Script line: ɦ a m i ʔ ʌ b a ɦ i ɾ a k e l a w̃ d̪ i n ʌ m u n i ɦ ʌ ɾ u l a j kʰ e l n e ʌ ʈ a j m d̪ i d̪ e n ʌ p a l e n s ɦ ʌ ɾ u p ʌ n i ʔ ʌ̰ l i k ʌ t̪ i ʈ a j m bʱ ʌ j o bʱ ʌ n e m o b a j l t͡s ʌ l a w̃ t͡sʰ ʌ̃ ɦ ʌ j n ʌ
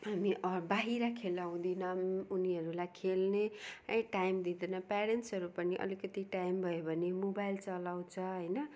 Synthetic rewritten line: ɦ a m i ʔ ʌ b a ɦ i ɾ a kʰ e l a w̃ d̪ i n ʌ m u n i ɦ ʌ ɾ u l a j kʰ e l n e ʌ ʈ a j m d̪ i d̪ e n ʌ p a ɾ e n s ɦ ʌ ɾ u p ʌ n i ʔ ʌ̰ l i k ʌ t̪ i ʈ a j m bʱ ʌ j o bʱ ʌ n e m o b a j l t͡s ʌ l a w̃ t͡sʰ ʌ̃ ɦ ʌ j n ʌ